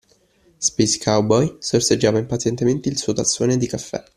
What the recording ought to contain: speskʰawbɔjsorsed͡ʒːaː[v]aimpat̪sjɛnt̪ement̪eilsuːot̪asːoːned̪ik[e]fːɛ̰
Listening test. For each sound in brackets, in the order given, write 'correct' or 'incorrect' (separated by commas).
correct, incorrect